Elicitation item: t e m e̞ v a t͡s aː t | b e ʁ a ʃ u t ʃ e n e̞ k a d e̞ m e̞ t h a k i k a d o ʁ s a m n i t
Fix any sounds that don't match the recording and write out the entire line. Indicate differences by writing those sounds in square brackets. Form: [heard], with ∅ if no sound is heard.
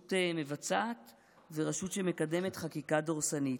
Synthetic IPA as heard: t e m e̞ v a t͡s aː t | [v] e ʁ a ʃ u t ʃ e [m] e̞ k a d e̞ m e̞ t [χ] a k i k a d o ʁ s a [∅] n i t

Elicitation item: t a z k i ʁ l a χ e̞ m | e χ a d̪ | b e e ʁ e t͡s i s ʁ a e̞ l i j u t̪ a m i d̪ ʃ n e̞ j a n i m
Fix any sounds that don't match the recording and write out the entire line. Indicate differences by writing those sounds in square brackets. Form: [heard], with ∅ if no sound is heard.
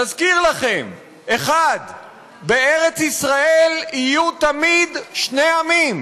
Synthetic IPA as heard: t a z k i ʁ l a χ e̞ m | e χ a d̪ | b e e ʁ e t͡s i s ʁ a e̞ l i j u t̪ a m i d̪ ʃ n e̞ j a [m] i m

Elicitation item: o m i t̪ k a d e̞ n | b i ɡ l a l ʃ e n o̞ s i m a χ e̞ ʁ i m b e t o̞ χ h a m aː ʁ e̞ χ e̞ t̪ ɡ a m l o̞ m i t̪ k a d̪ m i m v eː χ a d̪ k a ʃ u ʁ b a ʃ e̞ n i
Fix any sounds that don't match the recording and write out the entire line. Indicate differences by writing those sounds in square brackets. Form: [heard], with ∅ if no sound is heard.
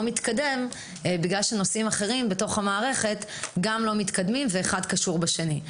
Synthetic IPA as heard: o m i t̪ k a d e̞ [m] | b i ɡ l a l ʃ e n o̞ s i m a χ e̞ ʁ i m b e t o̞ χ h a m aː ʁ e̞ χ e̞ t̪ ɡ a m l o̞ m i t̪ k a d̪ m i m v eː χ a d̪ k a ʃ u ʁ b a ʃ e̞ n i

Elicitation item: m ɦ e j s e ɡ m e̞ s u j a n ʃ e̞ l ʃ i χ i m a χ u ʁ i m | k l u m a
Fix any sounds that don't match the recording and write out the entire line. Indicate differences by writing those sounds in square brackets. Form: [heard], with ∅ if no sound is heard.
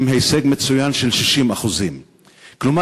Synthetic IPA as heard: m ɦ e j s e ɡ m e̞ [t͡s] u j a n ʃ e̞ l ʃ i [ʃ] i m a χ u [z] i m | k l u m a

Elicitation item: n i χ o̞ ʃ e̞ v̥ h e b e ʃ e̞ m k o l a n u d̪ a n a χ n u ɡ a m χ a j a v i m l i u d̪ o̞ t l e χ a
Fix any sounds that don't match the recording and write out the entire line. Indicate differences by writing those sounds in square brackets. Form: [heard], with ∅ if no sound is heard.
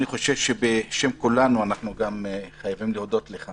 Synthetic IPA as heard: n i χ o̞ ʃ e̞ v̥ [ʃ] e b e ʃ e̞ m k [u] l a n u [∅] a n a χ n u ɡ a m χ a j a v i m l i [o] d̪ o̞ t l e χ a

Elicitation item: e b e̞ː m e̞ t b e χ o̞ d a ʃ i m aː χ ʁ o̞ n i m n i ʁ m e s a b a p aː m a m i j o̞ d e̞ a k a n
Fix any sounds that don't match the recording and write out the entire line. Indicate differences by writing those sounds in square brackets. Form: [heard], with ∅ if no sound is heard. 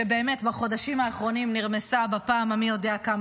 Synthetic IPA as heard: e b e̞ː m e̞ t b [a] χ o̞ d a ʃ i m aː χ ʁ o̞ n i m n i ʁ m e s a b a p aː m a m i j o̞ d e̞ a k a [m]

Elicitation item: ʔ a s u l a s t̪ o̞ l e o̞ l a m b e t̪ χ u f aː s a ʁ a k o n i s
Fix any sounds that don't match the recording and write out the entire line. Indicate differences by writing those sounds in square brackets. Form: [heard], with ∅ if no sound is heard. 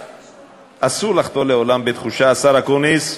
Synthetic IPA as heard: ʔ a s u l a [χ] t̪ o̞ l e o̞ l a m b e t̪ χ u [ʃ] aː s a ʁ a k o n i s

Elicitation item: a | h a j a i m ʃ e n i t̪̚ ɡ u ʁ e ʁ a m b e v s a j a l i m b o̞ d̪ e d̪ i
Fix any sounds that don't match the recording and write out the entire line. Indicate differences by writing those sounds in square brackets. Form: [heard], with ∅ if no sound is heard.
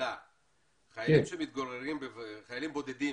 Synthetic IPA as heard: a | [χ] a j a i m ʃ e [m] i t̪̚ ɡ [o] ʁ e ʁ [i] m b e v [χ] a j a l i m b o̞ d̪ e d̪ i

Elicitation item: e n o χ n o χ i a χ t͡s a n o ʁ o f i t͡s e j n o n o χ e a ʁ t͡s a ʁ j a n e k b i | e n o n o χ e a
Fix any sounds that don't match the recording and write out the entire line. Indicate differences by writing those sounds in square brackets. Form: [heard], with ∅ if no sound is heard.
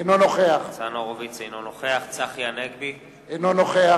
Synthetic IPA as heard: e n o [∅] n o χ [e] a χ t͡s a n o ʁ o [v] i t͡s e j n o n o χ e a [χ] t͡s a [χ] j a n e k b i | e n o n o χ e a

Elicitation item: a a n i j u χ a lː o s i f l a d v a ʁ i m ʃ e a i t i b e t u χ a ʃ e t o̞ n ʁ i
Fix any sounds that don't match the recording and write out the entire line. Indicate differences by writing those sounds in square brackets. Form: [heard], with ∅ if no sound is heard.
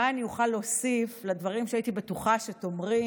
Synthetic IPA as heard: a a n i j u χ a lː o s i f l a d v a ʁ i m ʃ e a i t i b e t u χ a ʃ e t o̞ [m] ʁ i

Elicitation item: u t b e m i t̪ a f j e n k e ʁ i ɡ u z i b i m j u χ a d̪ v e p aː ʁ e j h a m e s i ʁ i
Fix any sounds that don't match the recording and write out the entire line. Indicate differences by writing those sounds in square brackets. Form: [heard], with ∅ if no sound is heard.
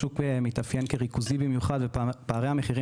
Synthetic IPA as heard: u [k] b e m i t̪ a f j e n k e ʁ i [k] u z i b i m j u χ a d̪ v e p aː ʁ e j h a m e [χ] i ʁ i

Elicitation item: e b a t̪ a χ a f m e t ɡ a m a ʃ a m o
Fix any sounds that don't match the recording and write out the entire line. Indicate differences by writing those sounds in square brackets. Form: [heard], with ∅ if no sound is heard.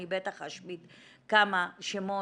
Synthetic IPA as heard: [i] b [e] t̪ a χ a [ʃ] m [i] t [k] a m a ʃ [e] m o

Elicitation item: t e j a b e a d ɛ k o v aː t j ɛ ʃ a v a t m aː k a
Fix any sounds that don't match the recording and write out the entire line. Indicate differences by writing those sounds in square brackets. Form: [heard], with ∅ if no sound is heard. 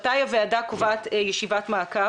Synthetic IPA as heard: t [a] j a [v] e a d [a] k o v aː t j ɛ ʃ [i] v a t m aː k a

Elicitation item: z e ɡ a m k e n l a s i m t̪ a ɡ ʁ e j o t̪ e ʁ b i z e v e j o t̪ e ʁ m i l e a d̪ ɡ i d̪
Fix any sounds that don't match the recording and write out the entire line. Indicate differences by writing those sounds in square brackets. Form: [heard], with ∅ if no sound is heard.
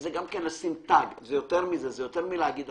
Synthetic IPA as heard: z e ɡ a m k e n l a s i m t̪ a ɡ [z] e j o t̪ e ʁ [m] i z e [z] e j o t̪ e ʁ m i l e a [∅] ɡ i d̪

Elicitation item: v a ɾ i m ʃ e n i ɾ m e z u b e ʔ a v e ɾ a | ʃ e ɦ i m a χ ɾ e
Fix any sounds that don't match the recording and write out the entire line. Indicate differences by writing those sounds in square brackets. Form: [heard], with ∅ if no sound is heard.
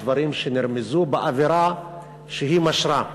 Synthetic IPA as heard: v a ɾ i m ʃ e n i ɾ m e z u b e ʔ a v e ɾ a | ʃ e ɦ i m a [ʃ] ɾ [a]

